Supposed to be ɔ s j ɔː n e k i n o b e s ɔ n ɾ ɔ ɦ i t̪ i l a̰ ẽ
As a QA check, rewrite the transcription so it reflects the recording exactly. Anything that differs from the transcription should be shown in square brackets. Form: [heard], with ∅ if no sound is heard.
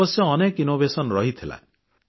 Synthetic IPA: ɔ s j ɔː n e k i n o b e s ɔ n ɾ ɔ ɦ i [t̪ʰ] i l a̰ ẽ